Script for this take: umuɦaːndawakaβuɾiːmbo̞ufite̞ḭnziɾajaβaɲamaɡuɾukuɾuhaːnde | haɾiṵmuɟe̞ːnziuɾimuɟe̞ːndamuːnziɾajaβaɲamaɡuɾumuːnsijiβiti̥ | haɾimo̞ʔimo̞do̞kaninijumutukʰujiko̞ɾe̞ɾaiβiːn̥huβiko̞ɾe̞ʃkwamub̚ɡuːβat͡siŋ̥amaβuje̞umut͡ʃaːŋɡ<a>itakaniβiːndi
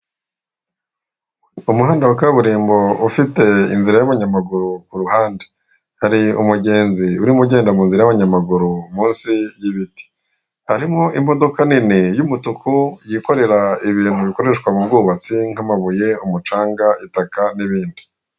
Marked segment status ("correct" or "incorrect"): correct